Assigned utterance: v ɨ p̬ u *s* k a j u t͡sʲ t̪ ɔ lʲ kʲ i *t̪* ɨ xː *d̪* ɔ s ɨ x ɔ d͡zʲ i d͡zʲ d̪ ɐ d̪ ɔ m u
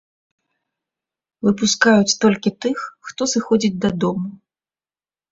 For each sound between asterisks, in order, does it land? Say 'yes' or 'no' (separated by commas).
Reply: yes, yes, no